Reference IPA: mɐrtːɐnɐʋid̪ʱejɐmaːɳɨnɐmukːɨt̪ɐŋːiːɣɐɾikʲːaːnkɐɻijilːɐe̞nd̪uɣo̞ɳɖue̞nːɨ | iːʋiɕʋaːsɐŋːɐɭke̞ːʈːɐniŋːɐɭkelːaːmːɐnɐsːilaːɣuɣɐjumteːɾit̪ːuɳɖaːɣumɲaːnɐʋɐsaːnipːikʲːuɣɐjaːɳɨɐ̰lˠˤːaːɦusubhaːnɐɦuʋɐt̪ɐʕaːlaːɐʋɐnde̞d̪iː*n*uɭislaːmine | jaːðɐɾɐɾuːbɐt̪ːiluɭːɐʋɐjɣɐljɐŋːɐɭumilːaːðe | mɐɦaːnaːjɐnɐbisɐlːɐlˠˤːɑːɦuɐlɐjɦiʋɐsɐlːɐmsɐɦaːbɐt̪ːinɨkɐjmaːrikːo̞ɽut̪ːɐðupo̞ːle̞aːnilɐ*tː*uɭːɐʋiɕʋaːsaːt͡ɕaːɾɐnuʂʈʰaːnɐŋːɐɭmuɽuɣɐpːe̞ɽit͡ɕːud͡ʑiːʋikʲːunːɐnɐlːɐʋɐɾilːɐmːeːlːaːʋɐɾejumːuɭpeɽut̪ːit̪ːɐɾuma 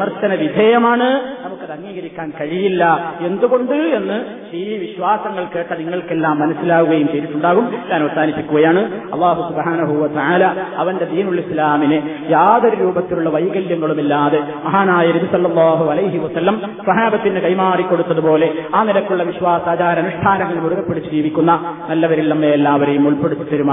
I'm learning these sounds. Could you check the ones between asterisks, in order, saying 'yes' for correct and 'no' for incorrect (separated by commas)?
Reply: yes, no